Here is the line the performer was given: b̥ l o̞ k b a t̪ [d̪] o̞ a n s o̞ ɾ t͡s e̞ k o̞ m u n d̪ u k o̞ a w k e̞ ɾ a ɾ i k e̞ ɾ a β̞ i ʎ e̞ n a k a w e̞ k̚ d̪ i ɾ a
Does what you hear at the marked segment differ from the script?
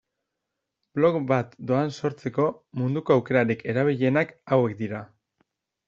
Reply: no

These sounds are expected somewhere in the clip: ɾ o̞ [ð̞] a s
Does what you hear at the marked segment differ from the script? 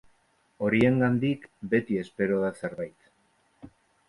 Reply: no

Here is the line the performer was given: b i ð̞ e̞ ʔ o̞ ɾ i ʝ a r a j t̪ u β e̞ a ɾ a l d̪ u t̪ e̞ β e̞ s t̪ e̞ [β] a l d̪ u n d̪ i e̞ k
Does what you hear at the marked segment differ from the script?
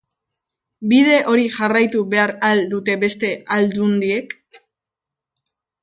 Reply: yes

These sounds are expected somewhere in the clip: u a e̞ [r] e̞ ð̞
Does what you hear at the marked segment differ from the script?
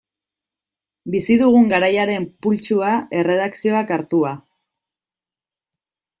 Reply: no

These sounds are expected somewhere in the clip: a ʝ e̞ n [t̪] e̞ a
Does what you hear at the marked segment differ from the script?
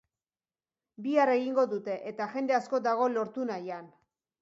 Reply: yes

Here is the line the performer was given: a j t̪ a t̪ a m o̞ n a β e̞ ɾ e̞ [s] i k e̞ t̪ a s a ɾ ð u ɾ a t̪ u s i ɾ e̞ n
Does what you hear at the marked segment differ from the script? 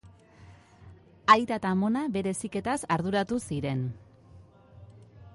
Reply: no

